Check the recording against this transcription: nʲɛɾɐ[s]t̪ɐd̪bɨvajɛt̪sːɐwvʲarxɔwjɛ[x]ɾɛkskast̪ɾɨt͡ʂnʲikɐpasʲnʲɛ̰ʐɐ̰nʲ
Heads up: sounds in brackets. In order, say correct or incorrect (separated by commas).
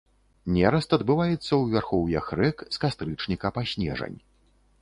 correct, correct